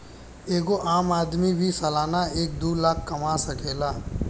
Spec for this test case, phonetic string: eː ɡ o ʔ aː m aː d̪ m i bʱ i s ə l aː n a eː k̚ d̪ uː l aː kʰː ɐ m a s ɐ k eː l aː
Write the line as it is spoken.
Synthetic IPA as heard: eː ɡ o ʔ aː m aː d̪ m i bʱ i s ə l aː n a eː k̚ d̪ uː l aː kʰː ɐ m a s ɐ k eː l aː